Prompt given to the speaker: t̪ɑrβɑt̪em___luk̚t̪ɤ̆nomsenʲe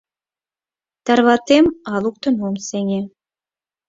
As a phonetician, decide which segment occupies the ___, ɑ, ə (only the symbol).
ɑ